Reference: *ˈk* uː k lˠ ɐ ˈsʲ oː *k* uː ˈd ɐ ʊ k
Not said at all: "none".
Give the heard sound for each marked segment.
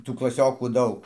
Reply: t, k

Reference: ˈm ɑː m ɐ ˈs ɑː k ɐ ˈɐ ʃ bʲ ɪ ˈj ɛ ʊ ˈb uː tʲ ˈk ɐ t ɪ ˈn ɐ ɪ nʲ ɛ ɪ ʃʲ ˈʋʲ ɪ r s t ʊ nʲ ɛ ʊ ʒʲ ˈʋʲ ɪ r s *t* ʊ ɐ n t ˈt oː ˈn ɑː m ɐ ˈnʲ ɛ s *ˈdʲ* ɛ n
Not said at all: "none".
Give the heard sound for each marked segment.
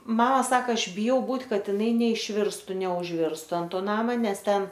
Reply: t, tʲ

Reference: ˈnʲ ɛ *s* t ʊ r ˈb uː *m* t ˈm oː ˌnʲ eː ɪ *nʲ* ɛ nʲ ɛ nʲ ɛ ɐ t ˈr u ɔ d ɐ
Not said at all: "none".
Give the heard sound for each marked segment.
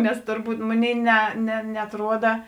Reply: s, none, nʲ

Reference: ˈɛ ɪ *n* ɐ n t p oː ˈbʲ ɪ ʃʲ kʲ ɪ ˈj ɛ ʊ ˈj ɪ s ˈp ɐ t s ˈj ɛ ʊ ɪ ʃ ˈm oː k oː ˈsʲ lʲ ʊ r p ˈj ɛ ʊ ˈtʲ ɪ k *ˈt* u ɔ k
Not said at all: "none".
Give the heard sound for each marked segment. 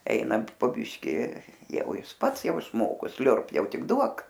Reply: n, d

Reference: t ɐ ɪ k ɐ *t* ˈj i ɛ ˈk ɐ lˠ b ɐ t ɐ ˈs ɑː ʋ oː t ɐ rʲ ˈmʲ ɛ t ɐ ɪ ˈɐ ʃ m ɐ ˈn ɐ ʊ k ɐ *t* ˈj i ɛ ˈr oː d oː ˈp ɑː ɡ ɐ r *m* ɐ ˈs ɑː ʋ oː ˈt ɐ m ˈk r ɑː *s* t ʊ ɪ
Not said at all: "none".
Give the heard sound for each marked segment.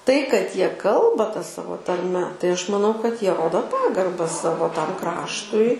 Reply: t, t, b, ʃ

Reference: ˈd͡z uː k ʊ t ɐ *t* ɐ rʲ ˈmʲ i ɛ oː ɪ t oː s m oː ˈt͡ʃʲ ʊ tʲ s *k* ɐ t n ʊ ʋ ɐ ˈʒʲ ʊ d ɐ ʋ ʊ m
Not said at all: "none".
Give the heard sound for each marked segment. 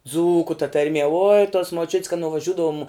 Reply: t, k

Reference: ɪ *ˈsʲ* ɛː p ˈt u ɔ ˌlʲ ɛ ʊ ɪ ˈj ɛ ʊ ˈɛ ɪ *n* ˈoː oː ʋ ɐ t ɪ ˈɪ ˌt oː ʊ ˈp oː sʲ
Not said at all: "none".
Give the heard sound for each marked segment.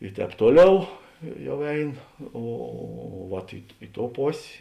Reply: tʲ, n

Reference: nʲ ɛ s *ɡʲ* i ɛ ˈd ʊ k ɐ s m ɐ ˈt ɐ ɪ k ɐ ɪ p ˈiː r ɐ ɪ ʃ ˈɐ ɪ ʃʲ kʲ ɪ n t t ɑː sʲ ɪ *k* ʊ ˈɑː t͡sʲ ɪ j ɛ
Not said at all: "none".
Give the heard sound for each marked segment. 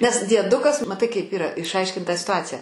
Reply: dʲ, t

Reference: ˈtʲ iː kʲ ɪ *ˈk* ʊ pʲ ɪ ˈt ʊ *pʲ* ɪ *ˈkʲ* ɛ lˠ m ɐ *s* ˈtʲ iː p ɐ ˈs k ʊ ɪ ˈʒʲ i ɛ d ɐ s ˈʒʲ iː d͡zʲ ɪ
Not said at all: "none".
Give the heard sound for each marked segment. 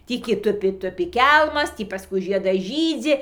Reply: t, pʲ, kʲ, s

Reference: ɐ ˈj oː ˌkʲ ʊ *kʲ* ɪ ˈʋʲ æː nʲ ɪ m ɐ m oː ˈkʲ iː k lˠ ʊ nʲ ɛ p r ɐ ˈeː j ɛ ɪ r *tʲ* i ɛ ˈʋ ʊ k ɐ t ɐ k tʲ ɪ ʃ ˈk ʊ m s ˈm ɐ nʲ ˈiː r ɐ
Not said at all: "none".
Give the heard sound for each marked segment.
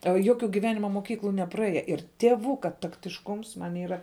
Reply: ɡʲ, tʲ

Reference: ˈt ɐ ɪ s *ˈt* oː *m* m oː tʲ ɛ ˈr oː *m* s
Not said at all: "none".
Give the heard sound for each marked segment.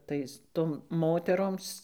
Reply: t, m, m

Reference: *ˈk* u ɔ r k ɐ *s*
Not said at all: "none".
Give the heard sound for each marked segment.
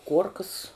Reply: k, s

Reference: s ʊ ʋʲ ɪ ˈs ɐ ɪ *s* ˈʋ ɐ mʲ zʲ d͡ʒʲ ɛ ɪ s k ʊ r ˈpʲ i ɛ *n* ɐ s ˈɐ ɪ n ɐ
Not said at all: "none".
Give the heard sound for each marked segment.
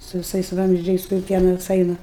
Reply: s, n

